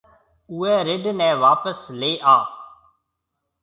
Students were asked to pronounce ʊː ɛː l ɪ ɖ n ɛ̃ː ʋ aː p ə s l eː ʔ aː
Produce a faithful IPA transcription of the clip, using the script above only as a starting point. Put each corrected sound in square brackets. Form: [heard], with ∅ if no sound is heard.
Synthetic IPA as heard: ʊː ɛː [ɾ] ɪ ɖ n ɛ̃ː ʋ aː p ə s l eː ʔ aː